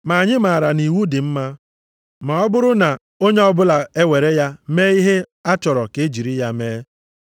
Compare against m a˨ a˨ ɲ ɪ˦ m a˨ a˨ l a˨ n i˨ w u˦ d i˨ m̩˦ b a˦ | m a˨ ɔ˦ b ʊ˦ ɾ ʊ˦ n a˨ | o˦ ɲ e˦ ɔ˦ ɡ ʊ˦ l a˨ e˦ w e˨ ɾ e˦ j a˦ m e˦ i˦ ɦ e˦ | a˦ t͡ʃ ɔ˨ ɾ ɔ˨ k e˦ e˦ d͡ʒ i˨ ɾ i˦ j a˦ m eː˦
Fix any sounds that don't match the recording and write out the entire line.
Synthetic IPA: m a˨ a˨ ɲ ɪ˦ m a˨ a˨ ɾ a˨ n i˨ w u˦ d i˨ m̩˦ m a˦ | m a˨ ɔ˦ b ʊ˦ ɾ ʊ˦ n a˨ | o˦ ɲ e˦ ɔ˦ b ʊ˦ l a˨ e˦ w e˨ ɾ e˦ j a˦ m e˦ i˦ ɦ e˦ | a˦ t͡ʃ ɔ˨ ɾ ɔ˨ k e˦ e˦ d͡ʒ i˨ ɾ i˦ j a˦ m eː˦